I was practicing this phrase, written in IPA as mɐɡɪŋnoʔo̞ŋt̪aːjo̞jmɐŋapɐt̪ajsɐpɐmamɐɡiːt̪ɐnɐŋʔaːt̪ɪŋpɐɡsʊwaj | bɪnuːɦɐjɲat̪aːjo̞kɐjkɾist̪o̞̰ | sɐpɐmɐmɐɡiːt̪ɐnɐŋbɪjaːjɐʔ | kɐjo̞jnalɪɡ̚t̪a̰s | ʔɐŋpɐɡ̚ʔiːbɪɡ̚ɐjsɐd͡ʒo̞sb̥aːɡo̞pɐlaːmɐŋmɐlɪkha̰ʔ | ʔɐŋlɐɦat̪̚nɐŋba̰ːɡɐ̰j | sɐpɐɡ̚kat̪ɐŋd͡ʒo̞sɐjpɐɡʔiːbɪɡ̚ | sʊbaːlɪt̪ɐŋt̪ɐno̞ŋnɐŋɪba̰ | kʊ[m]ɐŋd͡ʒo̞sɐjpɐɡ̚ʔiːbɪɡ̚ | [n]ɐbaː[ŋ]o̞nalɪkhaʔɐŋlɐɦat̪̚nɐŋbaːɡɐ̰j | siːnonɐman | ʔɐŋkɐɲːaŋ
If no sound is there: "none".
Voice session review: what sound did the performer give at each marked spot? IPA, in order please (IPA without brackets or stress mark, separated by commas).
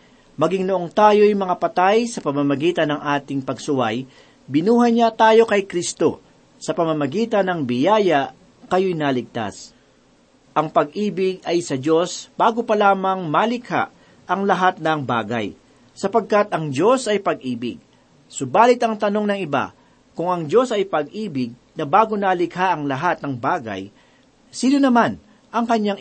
ŋ, n, ɡ